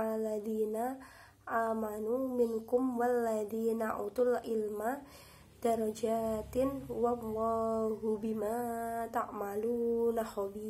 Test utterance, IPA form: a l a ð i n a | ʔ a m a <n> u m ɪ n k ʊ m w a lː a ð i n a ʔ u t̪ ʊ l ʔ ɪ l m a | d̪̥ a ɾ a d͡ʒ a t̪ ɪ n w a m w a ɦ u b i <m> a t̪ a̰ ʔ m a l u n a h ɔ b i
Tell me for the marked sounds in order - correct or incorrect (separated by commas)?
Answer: correct, correct